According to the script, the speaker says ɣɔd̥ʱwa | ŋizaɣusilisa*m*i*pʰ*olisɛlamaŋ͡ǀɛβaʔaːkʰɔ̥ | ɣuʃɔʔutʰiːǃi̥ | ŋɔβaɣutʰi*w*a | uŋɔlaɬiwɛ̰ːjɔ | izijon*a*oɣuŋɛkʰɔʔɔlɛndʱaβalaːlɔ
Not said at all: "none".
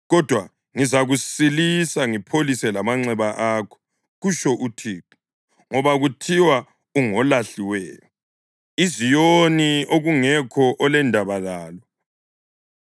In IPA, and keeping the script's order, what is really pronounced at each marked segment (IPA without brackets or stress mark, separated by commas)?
ŋ, pʰ, w, i